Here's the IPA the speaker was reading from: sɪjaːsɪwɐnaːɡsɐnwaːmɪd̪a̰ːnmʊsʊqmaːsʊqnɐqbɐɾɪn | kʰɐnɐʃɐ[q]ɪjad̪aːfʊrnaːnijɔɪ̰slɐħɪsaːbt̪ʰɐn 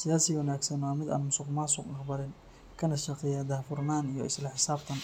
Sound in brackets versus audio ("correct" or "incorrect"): correct